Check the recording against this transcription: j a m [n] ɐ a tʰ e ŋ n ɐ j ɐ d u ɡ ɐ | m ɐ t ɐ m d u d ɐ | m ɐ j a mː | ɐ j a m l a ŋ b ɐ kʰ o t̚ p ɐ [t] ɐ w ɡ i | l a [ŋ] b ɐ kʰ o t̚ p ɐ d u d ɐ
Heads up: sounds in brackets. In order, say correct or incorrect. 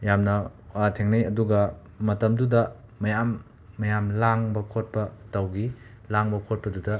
correct, correct, correct

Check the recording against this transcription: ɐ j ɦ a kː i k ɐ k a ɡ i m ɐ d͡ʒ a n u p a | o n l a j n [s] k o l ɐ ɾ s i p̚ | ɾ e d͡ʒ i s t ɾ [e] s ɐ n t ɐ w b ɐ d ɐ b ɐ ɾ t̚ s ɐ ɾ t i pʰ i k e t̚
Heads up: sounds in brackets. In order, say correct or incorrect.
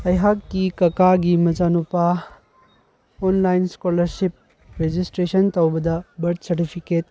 correct, correct

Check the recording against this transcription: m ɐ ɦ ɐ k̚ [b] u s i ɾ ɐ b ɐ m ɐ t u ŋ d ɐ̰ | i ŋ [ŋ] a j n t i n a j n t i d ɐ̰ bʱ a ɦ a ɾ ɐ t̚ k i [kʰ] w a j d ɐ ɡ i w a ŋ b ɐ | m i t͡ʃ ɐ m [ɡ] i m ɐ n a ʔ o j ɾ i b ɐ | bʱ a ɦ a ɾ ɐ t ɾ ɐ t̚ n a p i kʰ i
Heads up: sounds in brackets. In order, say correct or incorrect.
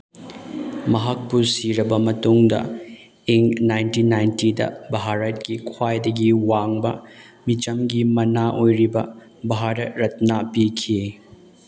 incorrect: p, incorrect: n, correct, correct

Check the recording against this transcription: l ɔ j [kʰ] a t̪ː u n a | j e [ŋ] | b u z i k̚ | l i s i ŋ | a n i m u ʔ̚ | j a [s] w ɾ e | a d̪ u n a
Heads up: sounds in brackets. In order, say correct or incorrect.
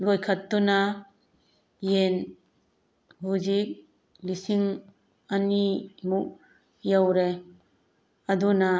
correct, incorrect: n, incorrect: none

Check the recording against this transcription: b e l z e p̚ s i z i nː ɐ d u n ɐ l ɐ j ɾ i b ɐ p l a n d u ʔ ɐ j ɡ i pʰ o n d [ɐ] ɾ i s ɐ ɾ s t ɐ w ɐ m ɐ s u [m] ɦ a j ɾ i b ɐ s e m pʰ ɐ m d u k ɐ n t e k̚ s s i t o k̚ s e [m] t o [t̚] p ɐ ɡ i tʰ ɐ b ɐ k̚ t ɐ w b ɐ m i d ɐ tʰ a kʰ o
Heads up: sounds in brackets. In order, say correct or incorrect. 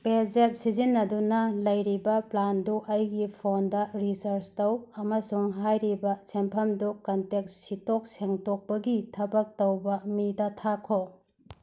correct, incorrect: ŋ, incorrect: ŋ, incorrect: k̚

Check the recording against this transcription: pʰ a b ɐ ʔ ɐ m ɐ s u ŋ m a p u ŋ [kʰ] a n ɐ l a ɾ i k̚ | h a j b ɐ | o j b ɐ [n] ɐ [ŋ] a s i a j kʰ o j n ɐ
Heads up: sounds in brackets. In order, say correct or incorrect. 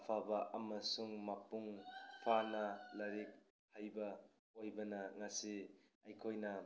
incorrect: pʰ, correct, correct

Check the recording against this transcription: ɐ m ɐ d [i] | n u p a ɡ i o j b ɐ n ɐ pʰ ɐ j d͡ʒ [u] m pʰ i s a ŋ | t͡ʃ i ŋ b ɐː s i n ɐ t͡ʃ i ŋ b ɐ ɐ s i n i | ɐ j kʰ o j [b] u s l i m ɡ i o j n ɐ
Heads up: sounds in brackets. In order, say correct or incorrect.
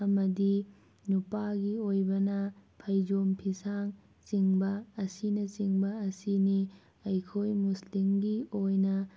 correct, incorrect: o, incorrect: m

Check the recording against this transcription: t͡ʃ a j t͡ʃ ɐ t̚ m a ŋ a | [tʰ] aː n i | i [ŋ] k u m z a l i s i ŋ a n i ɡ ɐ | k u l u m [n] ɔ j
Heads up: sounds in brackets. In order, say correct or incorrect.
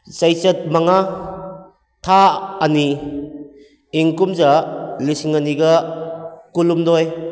correct, correct, incorrect: d

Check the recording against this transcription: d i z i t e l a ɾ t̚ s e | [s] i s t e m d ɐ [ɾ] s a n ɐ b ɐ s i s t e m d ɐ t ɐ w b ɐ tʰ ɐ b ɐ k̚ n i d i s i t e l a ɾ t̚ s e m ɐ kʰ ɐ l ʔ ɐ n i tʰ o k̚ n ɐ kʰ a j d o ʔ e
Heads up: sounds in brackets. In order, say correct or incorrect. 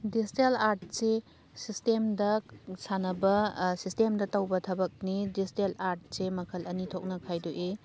correct, incorrect: none

